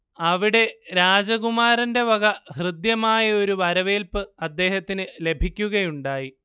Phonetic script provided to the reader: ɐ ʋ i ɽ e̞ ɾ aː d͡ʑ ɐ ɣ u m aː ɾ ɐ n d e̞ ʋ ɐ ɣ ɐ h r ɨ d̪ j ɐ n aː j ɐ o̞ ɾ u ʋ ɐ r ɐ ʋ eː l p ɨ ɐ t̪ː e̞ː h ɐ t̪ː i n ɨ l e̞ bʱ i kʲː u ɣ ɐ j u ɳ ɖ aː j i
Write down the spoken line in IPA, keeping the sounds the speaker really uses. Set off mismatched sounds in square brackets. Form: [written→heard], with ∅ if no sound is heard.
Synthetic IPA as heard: ɐ ʋ i ɽ e̞ ɾ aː d͡ʑ ɐ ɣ u m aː ɾ ɐ n d e̞ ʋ ɐ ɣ ɐ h r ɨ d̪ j ɐ [n→m] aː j ɐ o̞ ɾ u ʋ ɐ [r→ɾ] ɐ ʋ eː l p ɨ ɐ [t̪ː→d̪ː] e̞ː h ɐ t̪ː i n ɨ l e̞ bʱ i kʲː u ɣ ɐ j u ɳ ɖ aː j i